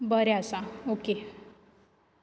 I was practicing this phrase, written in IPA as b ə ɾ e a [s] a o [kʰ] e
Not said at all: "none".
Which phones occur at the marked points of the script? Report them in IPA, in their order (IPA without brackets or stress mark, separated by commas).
s, k